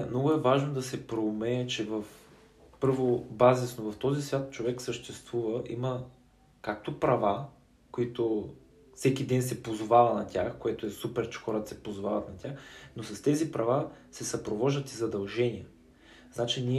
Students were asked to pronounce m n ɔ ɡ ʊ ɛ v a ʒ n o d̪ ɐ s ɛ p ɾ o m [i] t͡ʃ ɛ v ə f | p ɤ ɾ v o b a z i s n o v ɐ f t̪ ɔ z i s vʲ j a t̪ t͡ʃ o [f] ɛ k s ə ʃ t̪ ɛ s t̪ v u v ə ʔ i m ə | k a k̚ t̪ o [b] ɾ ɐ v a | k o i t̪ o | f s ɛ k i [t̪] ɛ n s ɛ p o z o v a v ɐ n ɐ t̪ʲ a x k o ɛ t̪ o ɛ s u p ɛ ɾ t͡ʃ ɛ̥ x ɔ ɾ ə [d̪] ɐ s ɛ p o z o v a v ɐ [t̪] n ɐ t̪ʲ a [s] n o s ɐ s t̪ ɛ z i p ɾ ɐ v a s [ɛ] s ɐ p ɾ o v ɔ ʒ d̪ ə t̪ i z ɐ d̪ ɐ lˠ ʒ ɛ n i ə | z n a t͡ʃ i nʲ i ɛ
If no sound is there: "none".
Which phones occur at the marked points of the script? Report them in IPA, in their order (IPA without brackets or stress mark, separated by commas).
ɛ, v, p, d̪, t̪, t̪, x, ɛ